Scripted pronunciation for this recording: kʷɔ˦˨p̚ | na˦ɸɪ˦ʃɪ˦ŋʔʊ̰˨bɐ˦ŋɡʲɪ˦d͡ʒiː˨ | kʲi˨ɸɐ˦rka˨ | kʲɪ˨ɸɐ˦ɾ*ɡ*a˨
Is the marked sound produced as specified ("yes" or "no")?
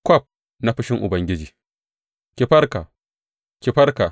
no